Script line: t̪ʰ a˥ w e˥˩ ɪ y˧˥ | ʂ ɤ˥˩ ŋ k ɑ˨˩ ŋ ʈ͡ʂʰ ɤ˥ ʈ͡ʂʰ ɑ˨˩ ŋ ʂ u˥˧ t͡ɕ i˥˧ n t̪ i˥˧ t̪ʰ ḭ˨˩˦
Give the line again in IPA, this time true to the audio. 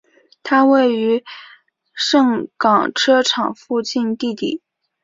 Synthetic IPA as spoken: t̪ʰ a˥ w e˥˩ ɪ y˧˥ | ʂ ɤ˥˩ ŋ k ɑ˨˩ ŋ ʈ͡ʂʰ ɤ˥ ʈ͡ʂʰ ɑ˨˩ ŋ f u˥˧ t͡ɕ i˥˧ n t̪ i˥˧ t̪ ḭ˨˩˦